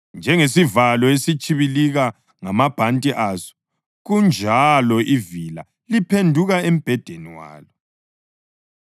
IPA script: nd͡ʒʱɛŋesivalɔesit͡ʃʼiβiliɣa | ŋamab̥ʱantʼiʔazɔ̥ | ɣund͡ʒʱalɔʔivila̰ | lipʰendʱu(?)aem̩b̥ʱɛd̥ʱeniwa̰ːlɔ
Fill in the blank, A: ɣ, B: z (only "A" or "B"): A